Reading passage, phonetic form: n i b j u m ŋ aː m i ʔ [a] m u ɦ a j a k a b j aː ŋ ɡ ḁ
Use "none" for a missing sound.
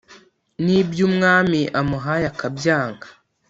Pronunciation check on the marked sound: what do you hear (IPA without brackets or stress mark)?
a